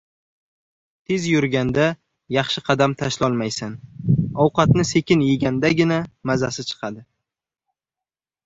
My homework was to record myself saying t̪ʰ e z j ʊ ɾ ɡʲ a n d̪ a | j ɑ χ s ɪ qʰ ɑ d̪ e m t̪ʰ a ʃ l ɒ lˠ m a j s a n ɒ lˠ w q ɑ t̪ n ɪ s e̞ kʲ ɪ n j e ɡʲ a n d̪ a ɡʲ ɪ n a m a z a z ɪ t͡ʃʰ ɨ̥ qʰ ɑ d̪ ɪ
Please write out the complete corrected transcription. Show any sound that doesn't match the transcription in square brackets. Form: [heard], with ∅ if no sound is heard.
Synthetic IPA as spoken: t̪ʰ e z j ʊ ɾ ɡʲ a n d̪ a | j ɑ χ [ʃ] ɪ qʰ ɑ d̪ [a] m t̪ʰ a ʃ l ɒ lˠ m a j s a n ɒ [∅] w q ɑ t̪ n ɪ s e̞ kʲ ɪ n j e ɡʲ a n d̪ a ɡʲ ɪ n a m a z a [s] ɪ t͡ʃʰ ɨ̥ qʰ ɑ d̪ ɪ